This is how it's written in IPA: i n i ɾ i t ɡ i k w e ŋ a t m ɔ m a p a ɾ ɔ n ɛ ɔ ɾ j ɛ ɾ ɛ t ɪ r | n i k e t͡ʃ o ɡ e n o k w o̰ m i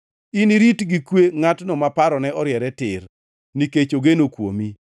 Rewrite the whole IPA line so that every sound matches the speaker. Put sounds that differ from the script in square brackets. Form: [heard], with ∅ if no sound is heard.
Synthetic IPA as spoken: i n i ɾ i t ɡ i k w e ŋ a t [n] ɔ m a p a ɾ ɔ n ɛ ɔ ɾ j ɛ ɾ ɛ t ɪ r | n i k e t͡ʃ o ɡ e n o k w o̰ m i